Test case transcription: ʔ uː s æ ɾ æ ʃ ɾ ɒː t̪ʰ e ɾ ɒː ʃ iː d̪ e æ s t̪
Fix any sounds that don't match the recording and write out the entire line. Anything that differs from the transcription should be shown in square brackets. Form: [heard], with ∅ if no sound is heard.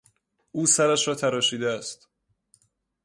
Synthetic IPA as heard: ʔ uː s æ ɾ æ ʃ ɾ ɒː t̪ʰ [æ] ɾ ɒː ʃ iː d̪ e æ s t̪